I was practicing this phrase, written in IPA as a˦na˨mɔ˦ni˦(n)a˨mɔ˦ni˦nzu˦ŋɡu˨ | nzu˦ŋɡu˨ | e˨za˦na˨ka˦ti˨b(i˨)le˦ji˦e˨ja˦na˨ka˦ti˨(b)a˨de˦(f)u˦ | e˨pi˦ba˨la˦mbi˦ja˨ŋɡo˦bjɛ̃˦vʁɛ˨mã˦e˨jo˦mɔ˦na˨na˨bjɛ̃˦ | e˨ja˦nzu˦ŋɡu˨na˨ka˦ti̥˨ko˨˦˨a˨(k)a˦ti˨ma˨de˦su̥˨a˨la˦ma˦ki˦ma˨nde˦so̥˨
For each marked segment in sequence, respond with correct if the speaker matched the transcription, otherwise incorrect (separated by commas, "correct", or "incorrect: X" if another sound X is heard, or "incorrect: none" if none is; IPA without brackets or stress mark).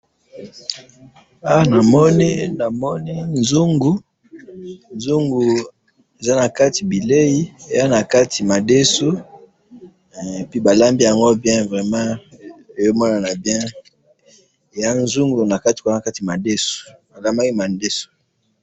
correct, correct, incorrect: m, incorrect: s, correct